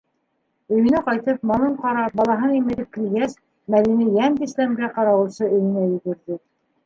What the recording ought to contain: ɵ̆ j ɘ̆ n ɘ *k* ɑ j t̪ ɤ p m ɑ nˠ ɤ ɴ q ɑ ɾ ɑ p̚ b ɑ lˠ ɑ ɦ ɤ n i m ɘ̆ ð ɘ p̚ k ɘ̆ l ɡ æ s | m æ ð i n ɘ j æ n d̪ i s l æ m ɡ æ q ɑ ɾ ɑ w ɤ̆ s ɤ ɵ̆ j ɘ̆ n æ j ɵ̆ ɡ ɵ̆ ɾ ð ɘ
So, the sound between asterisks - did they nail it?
no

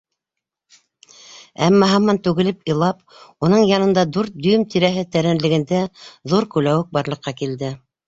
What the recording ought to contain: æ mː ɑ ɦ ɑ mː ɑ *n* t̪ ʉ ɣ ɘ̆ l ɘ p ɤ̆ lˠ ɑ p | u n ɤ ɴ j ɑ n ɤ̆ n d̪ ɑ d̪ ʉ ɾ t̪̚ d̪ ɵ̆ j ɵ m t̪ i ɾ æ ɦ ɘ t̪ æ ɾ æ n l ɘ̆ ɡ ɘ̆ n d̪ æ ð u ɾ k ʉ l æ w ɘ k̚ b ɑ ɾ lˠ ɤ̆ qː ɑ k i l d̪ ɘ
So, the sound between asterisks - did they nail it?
yes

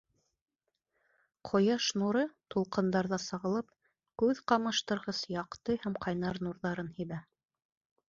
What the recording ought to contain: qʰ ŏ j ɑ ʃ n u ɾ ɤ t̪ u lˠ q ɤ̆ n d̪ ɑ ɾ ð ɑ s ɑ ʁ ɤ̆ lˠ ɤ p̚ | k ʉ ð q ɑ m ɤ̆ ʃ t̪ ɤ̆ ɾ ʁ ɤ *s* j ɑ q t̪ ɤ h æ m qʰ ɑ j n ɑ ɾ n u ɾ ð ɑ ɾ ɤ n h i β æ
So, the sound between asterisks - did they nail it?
yes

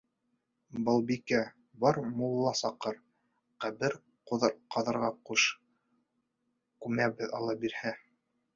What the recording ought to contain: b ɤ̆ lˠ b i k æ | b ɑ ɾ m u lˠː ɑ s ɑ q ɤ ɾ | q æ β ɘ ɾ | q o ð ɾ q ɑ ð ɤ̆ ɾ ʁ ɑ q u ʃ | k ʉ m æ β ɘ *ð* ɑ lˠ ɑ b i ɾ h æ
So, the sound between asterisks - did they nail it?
yes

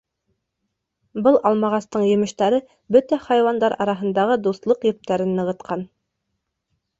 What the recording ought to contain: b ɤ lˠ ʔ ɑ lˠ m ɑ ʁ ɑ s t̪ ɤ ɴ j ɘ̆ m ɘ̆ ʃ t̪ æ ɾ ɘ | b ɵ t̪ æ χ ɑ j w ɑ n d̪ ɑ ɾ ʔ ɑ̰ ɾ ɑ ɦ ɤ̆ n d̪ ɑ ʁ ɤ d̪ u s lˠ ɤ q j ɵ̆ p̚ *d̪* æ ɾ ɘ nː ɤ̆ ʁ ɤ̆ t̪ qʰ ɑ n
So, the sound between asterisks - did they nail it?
no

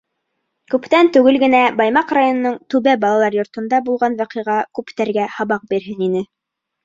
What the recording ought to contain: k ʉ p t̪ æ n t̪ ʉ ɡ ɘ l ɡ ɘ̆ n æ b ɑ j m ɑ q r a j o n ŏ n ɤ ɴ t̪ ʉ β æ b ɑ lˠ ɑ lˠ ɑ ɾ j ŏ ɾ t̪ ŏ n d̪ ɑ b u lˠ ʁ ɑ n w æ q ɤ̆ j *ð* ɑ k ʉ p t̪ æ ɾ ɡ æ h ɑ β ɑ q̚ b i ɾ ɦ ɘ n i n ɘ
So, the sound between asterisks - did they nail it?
no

